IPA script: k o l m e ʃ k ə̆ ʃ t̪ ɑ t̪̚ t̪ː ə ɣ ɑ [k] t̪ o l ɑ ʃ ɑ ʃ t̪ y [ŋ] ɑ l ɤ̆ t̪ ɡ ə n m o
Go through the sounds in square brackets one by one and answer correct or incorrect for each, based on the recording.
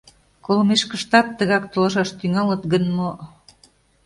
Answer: correct, correct

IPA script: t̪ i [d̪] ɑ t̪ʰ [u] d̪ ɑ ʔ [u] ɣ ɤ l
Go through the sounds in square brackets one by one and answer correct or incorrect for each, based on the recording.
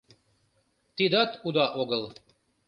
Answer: correct, correct, incorrect: o

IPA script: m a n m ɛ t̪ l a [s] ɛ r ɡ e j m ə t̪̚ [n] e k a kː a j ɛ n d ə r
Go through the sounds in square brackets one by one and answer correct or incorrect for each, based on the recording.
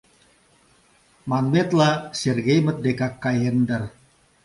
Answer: correct, incorrect: d

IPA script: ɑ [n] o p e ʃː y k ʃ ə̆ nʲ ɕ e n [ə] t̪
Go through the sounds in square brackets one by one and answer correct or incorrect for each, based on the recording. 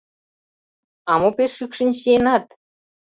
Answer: incorrect: m, incorrect: ɑ

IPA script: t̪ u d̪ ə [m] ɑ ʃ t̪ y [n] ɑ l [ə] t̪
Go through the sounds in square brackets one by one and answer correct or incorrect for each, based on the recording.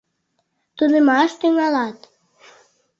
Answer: correct, incorrect: ŋ, incorrect: ɑ

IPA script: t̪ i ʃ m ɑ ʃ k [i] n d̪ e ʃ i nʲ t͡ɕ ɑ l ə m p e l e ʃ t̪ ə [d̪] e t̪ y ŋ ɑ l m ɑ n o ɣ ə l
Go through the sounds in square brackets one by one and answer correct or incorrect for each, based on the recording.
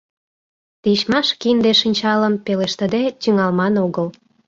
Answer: correct, correct

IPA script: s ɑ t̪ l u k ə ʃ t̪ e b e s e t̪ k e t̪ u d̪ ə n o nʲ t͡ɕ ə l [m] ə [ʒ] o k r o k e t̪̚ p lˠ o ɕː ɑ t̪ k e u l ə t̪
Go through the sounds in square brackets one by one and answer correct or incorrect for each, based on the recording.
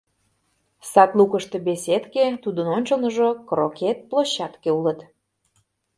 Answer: incorrect: n, correct

